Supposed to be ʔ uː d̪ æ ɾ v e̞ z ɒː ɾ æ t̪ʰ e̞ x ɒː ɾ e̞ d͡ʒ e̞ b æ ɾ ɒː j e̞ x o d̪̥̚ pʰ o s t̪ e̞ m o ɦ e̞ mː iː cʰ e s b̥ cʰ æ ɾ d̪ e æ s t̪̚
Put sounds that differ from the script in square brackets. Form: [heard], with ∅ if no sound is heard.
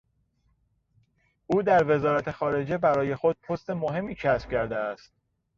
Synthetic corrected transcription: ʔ uː d̪ æ ɾ v e̞ z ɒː ɾ æ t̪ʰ e̞ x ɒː ɾ e̞ d͡ʒ e̞ b æ ɾ ɒː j e̞ x o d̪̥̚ pʰ o s t̪ e̞ m o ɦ e̞ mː iː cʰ [æ] s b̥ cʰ æ ɾ d̪ e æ s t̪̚